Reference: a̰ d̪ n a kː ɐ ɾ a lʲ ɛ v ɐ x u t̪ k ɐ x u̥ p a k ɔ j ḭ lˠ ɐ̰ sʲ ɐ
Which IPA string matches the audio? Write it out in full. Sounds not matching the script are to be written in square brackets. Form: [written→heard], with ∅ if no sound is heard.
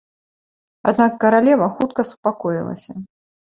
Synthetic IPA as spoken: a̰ d̪ n a kː ɐ ɾ a lʲ ɛ v ɐ x u t̪ k ɐ [x→s] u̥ p a k ɔ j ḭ lˠ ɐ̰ sʲ ɐ